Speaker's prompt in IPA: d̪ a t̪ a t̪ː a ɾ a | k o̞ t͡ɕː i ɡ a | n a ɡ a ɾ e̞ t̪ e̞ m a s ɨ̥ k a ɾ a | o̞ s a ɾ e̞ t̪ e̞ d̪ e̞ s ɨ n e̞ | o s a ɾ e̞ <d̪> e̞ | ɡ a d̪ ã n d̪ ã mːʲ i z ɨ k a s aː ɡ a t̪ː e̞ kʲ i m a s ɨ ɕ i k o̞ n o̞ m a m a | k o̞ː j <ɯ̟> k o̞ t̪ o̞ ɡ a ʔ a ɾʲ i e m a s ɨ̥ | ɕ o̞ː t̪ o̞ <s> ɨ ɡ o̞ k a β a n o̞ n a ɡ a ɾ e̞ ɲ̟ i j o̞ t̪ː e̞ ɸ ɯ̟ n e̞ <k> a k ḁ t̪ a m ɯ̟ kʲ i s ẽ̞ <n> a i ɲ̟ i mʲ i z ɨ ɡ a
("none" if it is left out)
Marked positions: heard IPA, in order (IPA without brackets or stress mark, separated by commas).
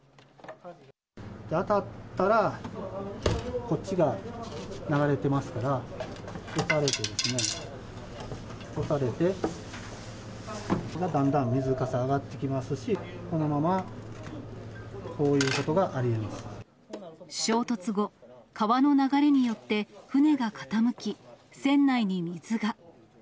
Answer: t̪, ɯ̟ː, t͡s, ɡ, nː